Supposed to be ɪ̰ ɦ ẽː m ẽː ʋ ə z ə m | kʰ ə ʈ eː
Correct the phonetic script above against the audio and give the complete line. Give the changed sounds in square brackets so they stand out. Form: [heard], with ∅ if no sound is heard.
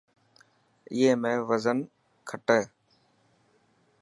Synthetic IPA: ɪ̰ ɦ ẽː m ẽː ʋ ə z ə [n] | kʰ ə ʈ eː